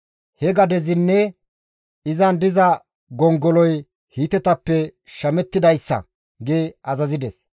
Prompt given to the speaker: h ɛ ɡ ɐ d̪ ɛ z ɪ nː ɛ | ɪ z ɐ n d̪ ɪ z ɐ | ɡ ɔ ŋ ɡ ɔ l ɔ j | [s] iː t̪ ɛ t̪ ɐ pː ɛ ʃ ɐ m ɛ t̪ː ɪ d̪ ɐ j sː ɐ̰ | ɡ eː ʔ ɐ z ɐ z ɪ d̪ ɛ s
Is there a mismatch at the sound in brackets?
yes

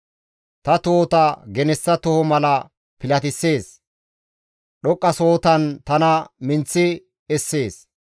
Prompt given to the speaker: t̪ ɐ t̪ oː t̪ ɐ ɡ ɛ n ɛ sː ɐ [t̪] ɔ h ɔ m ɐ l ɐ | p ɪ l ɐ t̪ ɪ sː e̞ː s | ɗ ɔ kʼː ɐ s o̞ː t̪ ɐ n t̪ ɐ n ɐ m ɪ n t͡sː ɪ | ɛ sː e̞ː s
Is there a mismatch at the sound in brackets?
no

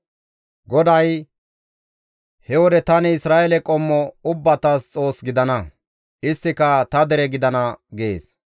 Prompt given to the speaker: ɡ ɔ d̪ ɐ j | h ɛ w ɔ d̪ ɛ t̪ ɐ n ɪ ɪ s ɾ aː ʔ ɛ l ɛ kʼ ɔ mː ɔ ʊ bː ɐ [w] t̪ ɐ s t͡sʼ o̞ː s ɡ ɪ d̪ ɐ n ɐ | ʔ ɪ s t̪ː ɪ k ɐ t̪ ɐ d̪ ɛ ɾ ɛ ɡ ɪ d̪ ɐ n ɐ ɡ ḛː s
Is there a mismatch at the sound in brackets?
yes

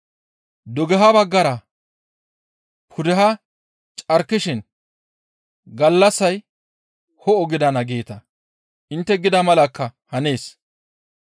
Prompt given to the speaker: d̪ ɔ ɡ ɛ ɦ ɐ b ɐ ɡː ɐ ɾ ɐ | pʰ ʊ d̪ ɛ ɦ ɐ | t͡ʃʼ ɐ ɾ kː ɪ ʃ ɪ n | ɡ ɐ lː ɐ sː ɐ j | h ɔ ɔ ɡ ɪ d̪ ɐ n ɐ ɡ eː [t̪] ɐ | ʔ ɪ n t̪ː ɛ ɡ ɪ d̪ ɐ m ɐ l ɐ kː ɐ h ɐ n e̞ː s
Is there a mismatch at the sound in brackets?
no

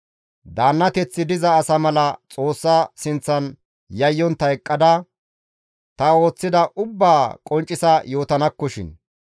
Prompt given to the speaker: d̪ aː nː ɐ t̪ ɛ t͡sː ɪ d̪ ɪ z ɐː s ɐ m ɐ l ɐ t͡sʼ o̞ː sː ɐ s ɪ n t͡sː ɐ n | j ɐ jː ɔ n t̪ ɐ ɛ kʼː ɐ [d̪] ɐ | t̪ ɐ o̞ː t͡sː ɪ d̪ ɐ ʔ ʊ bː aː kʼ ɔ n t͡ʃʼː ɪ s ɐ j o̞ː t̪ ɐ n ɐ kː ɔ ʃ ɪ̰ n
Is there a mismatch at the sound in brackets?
no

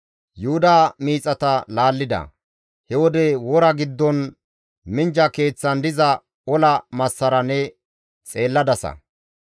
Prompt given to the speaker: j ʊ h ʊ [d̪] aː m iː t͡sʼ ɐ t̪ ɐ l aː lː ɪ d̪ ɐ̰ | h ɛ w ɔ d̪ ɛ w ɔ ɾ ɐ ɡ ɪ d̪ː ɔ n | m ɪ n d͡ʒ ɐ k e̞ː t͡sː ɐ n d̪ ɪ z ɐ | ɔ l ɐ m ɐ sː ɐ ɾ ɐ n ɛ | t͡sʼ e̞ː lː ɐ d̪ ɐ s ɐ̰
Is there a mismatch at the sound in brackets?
no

